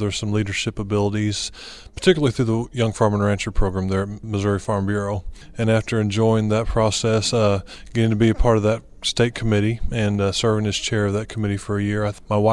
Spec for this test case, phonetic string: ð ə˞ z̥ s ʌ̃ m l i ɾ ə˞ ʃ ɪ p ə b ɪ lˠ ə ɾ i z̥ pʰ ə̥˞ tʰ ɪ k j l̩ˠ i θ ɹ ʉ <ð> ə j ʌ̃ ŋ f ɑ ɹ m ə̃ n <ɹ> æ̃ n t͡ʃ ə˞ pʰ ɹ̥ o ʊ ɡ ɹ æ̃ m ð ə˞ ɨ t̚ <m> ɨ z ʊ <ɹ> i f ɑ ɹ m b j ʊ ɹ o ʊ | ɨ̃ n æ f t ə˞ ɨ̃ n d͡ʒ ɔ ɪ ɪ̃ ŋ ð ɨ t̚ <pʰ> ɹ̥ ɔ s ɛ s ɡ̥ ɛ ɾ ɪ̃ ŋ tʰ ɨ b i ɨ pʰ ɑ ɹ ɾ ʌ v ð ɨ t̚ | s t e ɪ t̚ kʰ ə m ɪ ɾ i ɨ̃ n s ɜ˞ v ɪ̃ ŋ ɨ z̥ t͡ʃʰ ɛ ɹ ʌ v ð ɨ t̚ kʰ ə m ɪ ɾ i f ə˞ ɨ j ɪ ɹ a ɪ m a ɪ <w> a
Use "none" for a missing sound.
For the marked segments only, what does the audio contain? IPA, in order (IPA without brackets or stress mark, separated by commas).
ð, ɹ, m, ɹ, pʰ, w